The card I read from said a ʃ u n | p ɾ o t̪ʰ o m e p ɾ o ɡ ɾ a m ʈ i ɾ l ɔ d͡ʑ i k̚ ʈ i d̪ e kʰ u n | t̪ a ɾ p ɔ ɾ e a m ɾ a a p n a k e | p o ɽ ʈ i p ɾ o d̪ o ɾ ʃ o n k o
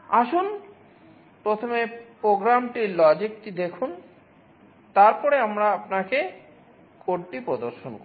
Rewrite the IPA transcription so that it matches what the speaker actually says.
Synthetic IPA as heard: a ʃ u n | p ɾ o t̪ʰ o m e p ɾ o ɡ ɾ a m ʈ i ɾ l ɔ d͡ʑ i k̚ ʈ i d̪ e kʰ u n | t̪ a ɾ p ɔ ɾ e a m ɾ a a p n a k e | k o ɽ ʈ i p ɾ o d̪ o ɾ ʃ o n k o